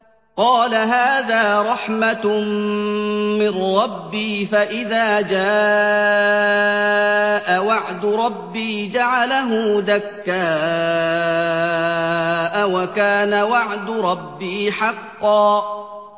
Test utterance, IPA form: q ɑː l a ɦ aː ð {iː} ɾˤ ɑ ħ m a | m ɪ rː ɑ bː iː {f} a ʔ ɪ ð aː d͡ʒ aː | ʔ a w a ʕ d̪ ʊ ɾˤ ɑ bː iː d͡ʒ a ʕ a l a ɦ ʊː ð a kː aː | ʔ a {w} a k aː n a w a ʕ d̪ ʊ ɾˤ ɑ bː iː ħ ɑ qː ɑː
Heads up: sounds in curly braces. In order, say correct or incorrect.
incorrect: aː, correct, correct

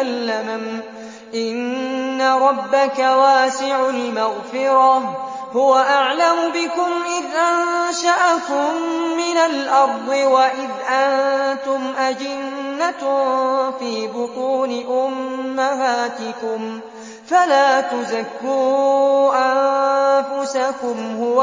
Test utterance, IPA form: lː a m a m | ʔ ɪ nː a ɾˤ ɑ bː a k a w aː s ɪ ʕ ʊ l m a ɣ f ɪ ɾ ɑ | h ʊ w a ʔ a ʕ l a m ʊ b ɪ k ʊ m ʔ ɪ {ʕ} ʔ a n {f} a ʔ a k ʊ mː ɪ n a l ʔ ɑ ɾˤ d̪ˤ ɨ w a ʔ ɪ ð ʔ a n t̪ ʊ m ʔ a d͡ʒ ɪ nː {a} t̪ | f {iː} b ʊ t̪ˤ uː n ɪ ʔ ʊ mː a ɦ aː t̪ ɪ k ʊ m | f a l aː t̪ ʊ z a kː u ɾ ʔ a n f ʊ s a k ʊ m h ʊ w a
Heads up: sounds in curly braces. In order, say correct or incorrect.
incorrect: ð, incorrect: ʃ, correct, correct

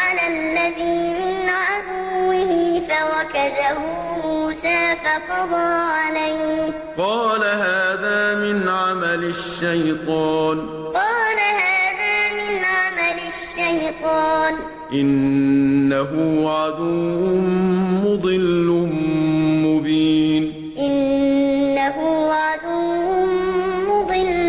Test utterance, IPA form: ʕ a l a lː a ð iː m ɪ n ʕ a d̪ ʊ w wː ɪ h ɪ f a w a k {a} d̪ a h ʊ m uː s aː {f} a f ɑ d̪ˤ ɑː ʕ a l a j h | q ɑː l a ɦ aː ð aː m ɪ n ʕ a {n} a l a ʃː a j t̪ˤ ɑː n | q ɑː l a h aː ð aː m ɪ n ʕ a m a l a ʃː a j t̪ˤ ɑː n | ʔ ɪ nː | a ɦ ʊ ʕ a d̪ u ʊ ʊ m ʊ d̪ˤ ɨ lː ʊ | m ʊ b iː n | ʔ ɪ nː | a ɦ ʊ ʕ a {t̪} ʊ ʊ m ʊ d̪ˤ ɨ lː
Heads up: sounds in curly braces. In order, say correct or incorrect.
correct, correct, incorrect: m, incorrect: d̪

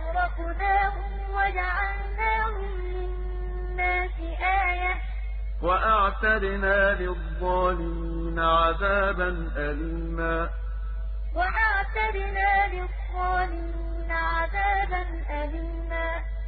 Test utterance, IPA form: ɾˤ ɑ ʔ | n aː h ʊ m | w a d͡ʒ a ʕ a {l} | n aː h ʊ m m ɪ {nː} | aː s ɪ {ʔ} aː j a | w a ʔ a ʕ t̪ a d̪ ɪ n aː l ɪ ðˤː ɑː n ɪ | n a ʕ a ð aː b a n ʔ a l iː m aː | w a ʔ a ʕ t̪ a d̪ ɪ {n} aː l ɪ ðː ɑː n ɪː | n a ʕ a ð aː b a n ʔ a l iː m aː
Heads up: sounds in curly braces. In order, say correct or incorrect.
correct, correct, correct, correct

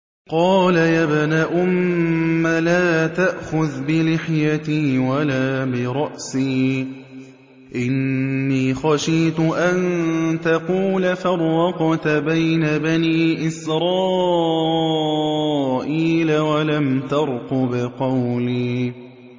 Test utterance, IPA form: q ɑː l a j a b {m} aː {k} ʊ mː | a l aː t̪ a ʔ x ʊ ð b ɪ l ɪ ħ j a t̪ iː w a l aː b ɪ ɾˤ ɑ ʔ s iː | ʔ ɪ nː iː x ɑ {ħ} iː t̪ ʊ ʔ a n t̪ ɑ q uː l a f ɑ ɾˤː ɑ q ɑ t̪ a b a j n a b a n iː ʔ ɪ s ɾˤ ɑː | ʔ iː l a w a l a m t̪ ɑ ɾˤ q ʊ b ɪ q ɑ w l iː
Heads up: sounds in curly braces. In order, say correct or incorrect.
incorrect: n, incorrect: ʔ, incorrect: ʃ

